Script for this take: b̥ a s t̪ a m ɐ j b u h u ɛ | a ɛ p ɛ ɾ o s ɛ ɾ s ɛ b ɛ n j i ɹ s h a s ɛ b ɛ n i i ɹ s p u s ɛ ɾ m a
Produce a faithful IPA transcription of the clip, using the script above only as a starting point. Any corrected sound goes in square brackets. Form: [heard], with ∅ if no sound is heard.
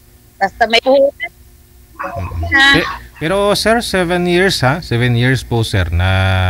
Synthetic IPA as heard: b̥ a s t̪ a m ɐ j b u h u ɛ | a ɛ p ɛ ɾ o s ɛ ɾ s ɛ [v] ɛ n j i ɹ s h a s ɛ [v] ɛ n [j] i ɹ s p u s ɛ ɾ [n] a